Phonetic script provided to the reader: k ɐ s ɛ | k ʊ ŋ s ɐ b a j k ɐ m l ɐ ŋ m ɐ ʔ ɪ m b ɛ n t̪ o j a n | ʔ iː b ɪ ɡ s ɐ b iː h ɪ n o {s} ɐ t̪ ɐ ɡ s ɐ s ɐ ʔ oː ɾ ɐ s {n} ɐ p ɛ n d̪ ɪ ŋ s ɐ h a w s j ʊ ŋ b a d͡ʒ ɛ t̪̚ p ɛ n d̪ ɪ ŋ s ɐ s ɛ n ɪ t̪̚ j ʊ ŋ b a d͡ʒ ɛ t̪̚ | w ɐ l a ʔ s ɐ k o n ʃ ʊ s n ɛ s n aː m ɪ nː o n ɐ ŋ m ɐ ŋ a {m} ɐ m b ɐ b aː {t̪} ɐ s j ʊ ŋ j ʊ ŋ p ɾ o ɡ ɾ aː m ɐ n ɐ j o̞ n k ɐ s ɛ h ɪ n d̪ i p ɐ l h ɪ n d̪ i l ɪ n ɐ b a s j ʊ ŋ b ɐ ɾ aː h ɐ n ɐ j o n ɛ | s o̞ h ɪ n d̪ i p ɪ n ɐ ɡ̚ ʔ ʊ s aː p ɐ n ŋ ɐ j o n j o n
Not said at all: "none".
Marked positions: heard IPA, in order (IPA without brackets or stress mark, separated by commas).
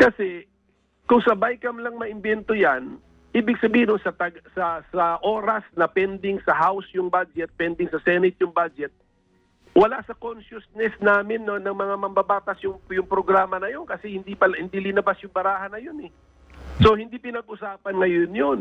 s, n, m, t̪